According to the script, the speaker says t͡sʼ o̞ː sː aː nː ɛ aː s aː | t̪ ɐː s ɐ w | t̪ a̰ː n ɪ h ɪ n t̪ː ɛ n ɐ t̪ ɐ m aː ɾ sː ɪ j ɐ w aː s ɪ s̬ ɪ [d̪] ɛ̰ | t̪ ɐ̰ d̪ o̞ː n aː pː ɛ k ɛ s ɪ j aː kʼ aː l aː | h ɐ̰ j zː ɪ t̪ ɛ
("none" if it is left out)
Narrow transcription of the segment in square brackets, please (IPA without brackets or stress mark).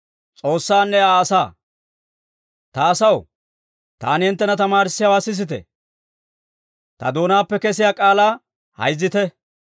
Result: t̪